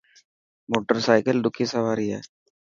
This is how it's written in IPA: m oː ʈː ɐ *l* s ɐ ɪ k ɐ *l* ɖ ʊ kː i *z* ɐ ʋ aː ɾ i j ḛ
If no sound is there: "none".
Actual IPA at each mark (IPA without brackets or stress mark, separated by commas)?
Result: ɾ, l, s